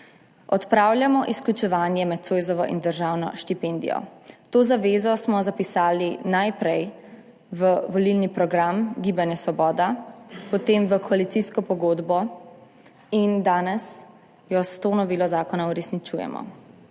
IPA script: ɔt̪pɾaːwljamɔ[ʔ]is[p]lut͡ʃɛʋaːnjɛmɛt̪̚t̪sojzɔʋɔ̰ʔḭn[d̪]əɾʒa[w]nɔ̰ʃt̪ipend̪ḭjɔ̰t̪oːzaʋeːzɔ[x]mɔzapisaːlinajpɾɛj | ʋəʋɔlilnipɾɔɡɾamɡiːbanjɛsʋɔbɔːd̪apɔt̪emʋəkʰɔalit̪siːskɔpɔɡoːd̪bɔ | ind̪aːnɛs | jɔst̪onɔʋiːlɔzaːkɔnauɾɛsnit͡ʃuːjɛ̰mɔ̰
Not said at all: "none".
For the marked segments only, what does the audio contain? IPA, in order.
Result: ʔ, k, d̪, w, s

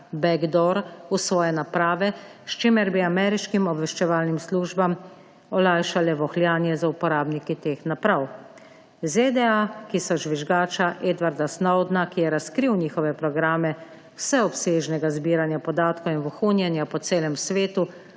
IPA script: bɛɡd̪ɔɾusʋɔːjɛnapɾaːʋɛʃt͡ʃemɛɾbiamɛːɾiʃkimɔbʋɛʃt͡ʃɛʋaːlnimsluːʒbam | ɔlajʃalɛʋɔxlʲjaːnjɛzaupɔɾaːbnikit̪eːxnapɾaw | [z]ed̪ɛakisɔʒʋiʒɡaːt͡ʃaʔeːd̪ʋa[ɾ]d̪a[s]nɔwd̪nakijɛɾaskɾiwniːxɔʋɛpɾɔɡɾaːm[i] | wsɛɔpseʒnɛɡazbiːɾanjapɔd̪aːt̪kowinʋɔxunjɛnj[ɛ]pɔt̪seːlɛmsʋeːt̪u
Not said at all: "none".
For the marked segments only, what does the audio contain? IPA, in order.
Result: z, ɾ, s, ɛ, a

